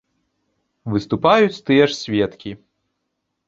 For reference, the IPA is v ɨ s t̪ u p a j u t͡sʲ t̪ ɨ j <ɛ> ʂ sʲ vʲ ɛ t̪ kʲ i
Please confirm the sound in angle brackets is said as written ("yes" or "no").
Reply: yes